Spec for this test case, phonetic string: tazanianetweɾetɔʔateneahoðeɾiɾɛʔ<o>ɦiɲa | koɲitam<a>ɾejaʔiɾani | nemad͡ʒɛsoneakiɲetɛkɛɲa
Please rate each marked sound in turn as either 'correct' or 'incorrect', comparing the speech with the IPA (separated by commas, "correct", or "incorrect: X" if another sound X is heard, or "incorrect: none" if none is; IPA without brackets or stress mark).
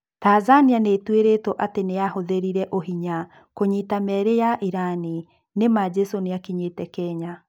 correct, incorrect: ɛ